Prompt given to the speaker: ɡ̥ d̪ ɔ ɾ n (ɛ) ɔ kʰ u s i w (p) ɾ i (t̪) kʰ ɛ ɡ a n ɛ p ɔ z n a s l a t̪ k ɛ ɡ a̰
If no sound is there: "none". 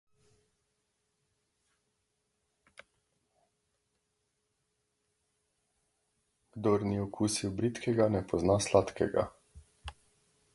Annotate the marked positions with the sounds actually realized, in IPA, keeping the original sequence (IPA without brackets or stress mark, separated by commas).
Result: i, b, t̪